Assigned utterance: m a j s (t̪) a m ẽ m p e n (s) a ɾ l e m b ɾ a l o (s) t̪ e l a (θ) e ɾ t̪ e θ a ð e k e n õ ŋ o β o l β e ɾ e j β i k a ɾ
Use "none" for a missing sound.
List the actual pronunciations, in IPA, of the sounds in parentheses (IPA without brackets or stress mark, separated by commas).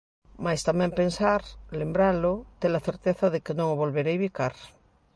t̪, s, none, θ